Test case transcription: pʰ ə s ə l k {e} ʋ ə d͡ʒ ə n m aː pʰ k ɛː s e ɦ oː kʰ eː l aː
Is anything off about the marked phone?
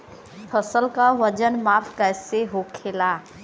yes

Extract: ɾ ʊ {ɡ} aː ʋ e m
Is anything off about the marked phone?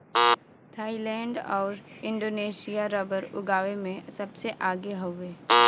no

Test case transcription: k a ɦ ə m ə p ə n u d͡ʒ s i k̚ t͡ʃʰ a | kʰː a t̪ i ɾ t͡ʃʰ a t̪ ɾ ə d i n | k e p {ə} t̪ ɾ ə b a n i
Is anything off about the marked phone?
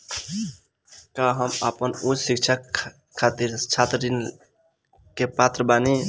yes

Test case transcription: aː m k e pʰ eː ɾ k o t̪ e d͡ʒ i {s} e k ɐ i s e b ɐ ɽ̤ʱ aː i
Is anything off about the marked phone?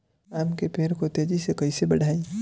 no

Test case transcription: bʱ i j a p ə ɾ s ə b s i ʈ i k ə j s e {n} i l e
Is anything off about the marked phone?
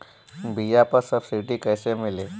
yes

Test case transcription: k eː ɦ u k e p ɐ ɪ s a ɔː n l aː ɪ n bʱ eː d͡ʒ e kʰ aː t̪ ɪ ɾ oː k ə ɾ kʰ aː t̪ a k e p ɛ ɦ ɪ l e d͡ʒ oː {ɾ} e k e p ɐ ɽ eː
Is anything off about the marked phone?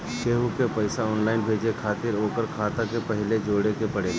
yes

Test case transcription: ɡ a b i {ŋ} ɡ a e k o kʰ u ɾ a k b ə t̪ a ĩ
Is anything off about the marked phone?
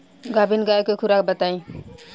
yes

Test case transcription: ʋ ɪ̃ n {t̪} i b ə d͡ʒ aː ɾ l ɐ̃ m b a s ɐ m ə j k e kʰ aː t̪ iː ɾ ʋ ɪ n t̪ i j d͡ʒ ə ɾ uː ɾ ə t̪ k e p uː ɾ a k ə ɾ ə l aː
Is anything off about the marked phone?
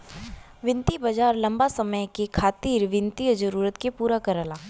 no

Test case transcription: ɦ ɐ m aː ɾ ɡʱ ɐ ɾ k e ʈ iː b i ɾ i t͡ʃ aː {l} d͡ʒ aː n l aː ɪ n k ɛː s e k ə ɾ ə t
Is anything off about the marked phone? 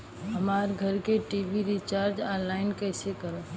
yes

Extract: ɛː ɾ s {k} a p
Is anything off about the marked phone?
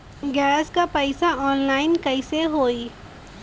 no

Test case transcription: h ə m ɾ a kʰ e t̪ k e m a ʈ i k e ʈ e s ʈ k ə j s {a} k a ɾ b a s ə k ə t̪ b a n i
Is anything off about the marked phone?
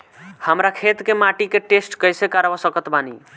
yes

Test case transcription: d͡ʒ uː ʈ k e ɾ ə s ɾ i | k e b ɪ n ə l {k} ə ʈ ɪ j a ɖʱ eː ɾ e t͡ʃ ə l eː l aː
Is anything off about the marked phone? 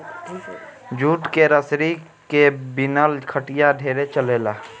yes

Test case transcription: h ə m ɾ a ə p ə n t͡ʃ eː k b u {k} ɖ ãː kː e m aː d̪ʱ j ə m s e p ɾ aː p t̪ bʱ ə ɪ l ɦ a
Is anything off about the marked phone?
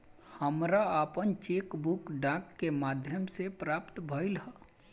no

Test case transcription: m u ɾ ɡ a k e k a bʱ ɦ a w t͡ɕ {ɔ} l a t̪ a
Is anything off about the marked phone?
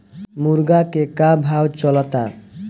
no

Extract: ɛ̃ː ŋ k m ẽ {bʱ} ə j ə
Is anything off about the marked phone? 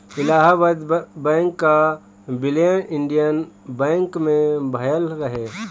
no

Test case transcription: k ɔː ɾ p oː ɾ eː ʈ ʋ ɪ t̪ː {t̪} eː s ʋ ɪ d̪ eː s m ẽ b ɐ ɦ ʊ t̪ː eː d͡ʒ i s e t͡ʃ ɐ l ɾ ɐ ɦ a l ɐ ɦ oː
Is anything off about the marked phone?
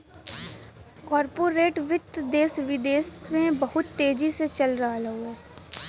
yes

